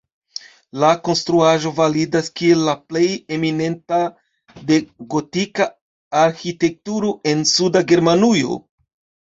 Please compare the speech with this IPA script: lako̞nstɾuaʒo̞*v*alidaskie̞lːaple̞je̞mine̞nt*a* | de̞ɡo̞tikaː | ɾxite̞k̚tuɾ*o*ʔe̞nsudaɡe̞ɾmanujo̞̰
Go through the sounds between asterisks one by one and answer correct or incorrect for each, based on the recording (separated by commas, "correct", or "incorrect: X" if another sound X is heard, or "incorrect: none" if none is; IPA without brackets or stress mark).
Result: correct, correct, correct